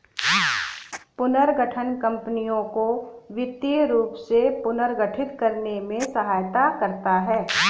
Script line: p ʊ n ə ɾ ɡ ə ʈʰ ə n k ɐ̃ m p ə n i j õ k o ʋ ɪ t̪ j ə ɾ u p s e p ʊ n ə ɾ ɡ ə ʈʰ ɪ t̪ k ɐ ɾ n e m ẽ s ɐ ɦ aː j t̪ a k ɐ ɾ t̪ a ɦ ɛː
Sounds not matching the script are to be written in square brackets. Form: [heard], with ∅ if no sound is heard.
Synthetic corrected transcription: p ʊ n ə ɾ ɡ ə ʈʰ ə n k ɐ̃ m p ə n i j õ k o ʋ ɪ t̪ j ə ɾ [uː] p s e p ʊ n ə ɾ ɡ ə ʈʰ ɪ t̪ k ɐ ɾ n e m ẽ s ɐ ɦ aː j t̪ a k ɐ ɾ t̪ a ɦ ɛː